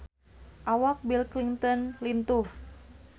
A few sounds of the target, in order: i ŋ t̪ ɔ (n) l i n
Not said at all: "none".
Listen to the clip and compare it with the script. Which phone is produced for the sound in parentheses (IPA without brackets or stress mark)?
n